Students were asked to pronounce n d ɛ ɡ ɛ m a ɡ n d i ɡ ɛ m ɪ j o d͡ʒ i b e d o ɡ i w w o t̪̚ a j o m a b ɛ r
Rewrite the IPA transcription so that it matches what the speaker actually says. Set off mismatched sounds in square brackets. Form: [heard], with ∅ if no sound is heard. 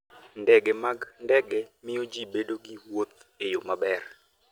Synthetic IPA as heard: n d ɛ ɡ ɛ m a ɡ n d [ɛ] ɡ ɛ m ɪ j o d͡ʒ i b e d o ɡ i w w o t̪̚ [e] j o m a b ɛ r